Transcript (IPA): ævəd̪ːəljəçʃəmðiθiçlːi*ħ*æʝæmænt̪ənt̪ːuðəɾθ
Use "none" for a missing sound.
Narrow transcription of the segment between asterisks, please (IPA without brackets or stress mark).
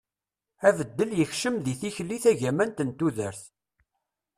θ